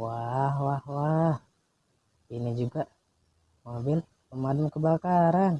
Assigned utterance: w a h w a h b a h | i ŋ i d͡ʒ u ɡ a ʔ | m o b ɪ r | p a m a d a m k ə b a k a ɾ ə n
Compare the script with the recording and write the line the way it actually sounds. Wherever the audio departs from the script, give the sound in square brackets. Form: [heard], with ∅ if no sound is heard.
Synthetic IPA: w a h w a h [w] a h | i [n] i d͡ʒ u ɡ a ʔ | m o b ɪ [l] | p [ə] m a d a m k ə b a k a ɾ [a] n